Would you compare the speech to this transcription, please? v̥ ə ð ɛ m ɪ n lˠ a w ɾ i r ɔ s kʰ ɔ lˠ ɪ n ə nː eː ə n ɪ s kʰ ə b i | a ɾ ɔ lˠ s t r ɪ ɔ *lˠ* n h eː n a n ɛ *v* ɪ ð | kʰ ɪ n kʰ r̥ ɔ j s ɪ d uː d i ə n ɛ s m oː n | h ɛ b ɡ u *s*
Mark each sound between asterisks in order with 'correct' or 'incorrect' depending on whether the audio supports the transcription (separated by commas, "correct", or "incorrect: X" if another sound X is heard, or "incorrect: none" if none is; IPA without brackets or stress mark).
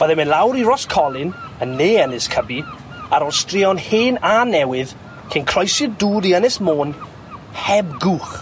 incorrect: none, incorrect: w, incorrect: χ